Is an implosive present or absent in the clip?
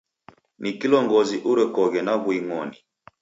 absent